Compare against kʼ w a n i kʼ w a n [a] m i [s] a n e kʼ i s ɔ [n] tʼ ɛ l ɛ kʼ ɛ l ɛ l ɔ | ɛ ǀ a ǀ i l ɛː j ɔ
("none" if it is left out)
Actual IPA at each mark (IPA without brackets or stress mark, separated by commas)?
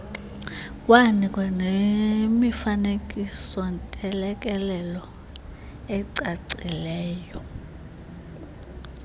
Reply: e, f, n